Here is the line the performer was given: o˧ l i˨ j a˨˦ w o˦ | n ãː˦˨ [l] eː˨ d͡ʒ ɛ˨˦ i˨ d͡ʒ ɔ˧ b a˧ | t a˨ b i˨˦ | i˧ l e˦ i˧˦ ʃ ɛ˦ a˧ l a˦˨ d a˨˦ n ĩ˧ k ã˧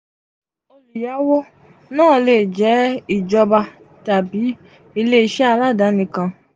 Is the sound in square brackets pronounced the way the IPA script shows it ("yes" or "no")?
yes